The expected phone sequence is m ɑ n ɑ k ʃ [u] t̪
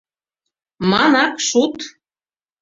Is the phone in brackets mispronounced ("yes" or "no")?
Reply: no